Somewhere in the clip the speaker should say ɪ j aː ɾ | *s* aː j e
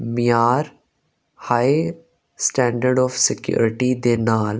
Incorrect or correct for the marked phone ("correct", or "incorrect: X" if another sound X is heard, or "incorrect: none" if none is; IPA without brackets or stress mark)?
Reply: incorrect: h